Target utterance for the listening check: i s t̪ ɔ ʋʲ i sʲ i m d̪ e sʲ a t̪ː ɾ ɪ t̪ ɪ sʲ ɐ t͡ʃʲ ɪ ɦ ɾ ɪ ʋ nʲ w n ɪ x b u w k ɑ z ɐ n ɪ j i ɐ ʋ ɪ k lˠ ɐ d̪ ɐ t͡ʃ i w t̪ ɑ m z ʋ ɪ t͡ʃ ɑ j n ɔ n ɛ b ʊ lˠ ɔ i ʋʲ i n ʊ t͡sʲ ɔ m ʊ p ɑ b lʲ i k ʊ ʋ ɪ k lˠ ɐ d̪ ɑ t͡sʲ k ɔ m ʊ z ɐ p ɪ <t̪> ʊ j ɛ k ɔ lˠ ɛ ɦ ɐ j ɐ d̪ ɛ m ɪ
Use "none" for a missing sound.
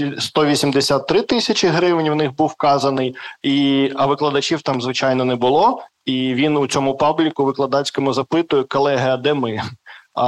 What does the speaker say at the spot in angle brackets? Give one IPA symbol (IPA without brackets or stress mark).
t̪